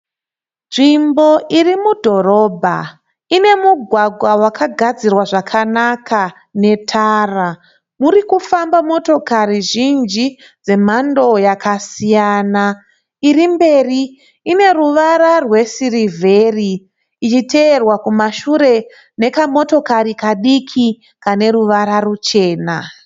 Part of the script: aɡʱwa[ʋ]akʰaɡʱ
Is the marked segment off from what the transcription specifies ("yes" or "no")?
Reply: yes